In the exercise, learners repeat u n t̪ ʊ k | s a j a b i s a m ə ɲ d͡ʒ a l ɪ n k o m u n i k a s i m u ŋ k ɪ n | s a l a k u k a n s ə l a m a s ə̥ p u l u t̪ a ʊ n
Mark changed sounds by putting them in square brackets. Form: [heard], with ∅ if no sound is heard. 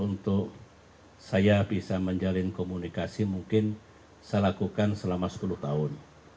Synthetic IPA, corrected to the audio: u n t̪ ʊ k | s a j a b i s a m ə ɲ d͡ʒ a l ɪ n k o m u n i k a s i m u ŋ k ɪ n | s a l a k u k a n s ə l a m a s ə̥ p u l u t̪ a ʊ n